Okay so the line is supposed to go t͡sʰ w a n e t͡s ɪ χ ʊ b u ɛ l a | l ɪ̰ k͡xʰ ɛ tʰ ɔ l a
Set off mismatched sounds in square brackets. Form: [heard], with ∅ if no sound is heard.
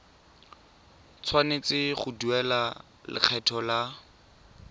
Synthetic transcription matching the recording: t͡sʰ w a n e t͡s ɪ χ ʊ [d] u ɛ l a | l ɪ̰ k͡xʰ ɛ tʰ ɔ l a